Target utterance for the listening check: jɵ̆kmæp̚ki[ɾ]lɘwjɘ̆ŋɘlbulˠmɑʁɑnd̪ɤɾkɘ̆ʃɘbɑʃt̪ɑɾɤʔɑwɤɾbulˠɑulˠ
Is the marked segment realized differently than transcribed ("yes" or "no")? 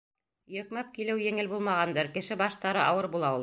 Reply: yes